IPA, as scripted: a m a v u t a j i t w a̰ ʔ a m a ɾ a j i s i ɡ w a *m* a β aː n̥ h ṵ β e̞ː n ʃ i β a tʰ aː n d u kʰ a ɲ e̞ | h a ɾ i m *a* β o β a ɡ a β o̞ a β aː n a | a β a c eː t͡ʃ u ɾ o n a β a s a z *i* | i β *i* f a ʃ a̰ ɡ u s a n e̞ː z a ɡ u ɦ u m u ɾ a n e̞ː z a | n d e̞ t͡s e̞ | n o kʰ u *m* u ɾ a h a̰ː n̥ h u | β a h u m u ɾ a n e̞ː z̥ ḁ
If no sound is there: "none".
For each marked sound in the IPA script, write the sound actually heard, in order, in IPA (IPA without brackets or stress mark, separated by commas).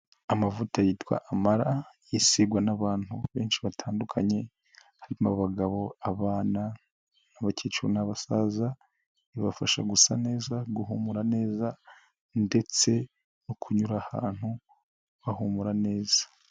n, a, a, a, ɲ